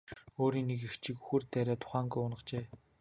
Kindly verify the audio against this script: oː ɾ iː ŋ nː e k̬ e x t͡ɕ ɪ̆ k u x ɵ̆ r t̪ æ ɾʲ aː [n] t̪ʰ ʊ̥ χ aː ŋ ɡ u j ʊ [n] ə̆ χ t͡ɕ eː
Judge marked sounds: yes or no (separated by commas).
no, yes